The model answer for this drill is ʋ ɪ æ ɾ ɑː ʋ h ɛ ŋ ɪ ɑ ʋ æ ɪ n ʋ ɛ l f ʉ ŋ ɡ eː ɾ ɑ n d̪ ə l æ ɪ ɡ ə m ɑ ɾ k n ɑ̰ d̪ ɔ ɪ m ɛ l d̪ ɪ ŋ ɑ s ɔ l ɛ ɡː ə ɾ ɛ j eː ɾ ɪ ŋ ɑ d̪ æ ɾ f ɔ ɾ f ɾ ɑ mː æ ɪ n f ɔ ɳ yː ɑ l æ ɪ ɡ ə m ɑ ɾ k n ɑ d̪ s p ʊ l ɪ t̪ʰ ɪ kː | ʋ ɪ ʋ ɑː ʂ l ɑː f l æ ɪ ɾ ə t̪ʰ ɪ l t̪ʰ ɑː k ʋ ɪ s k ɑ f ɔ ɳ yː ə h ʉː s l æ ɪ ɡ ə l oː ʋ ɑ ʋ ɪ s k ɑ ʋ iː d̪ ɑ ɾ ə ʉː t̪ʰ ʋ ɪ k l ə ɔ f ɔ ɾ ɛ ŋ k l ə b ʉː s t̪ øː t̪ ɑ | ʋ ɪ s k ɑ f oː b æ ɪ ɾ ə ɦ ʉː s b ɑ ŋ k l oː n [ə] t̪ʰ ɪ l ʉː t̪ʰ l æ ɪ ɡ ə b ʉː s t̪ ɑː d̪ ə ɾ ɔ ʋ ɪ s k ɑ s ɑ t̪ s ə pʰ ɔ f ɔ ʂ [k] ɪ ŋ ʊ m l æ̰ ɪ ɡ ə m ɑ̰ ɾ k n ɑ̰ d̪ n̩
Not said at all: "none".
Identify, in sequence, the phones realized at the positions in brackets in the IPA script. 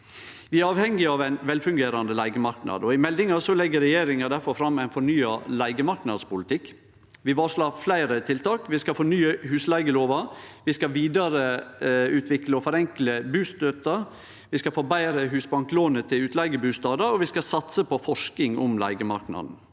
ə, k

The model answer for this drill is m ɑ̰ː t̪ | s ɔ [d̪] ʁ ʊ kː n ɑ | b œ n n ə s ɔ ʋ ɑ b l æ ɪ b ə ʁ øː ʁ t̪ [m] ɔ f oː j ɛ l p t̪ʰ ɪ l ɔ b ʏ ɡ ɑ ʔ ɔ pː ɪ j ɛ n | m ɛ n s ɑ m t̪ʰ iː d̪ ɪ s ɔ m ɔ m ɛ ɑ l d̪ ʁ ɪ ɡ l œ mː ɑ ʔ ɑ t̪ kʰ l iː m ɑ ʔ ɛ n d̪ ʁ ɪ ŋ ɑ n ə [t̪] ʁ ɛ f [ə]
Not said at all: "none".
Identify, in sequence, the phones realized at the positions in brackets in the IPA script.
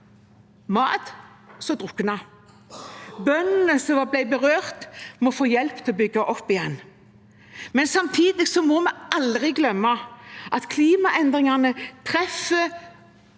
d̪, m, t̪ʰ, ə

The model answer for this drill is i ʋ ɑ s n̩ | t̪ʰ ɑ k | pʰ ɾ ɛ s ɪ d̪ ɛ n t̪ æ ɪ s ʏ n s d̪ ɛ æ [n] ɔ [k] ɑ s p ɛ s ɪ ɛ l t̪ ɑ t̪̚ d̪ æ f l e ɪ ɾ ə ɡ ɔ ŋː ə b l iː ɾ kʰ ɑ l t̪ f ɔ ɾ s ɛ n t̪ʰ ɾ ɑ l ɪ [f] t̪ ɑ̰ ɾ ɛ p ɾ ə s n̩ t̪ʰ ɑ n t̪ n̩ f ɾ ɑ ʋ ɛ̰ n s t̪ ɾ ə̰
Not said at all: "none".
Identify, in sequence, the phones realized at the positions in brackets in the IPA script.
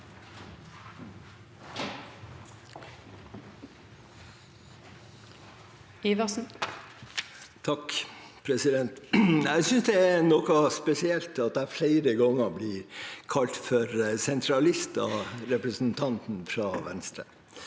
n, k, s

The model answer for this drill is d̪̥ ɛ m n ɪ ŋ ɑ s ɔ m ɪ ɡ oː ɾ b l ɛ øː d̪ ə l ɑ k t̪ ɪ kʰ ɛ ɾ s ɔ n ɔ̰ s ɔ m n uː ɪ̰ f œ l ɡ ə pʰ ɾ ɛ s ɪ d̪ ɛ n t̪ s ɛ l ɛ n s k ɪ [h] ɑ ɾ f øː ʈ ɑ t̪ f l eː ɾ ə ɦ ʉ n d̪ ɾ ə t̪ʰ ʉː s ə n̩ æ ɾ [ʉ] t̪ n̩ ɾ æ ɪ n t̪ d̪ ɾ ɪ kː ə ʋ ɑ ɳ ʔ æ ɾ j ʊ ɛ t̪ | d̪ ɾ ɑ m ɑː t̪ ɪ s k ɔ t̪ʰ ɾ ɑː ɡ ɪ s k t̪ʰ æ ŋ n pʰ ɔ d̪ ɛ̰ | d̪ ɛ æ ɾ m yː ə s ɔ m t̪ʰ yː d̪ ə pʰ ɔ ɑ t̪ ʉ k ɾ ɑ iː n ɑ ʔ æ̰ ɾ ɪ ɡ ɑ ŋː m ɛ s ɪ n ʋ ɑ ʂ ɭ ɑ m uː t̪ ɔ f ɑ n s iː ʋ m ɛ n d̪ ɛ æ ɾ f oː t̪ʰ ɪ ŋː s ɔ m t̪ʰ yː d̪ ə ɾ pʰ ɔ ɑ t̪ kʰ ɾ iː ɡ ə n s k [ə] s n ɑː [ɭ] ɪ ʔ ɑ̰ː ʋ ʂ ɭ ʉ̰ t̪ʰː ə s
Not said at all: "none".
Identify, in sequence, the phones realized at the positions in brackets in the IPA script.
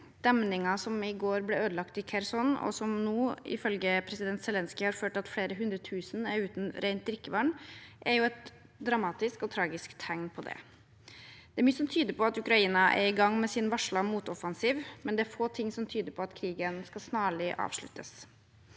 h, ʉː, ɑ, ɭ

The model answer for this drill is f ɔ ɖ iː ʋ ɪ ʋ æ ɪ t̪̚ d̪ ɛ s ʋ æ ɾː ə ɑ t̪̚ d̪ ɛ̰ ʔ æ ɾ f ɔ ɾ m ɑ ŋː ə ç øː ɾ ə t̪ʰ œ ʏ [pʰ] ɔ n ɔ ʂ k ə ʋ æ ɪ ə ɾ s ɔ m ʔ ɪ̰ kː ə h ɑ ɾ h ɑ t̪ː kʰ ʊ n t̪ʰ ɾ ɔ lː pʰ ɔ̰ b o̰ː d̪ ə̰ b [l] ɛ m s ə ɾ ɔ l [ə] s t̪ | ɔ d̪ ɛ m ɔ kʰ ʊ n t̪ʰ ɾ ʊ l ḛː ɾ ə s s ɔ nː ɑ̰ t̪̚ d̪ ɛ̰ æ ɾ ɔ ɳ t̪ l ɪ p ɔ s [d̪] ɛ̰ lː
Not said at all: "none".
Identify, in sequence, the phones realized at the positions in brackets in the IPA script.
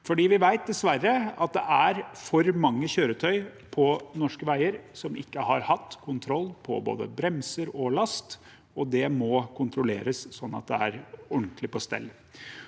pʰ, ɾ, ɑ, t̪

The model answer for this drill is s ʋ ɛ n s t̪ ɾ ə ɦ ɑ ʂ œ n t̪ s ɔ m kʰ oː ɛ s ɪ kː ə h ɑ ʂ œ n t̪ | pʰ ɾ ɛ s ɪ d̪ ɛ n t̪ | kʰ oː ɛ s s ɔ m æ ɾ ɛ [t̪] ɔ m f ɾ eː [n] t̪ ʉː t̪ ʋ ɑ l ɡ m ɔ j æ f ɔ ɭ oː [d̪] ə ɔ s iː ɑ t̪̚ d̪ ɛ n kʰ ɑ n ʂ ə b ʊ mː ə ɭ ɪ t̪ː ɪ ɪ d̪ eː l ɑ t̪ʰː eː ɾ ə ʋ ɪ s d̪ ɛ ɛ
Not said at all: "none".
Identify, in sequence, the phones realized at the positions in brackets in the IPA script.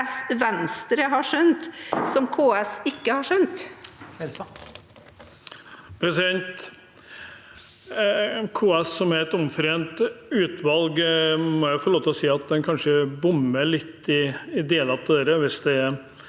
t̪, n, t̪

